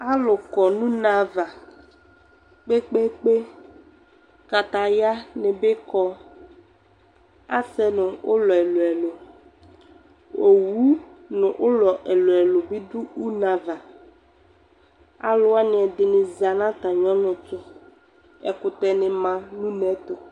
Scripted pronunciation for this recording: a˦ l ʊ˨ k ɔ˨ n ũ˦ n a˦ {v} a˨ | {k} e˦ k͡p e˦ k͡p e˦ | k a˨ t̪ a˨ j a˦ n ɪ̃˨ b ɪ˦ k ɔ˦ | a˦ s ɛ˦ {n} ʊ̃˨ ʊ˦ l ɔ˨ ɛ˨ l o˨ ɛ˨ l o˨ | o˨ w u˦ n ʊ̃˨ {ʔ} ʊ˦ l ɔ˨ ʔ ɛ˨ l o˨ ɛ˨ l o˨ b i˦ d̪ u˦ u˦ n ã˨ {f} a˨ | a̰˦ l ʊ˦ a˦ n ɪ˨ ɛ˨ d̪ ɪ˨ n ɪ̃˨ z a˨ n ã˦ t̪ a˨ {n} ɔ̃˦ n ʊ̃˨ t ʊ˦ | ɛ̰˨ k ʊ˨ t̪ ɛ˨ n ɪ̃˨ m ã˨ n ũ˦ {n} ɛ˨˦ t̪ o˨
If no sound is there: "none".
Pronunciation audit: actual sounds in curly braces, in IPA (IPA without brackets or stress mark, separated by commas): v, k͡p, n, ʔ, v, ɲ, n